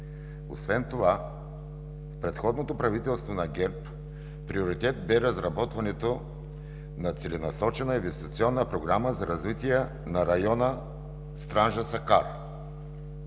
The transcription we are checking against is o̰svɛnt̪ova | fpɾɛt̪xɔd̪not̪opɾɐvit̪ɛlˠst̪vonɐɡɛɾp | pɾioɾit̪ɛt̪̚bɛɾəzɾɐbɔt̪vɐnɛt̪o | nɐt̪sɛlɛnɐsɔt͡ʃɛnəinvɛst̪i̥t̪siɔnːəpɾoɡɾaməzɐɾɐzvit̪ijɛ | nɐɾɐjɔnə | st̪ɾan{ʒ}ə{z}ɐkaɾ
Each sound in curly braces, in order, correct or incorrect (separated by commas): correct, incorrect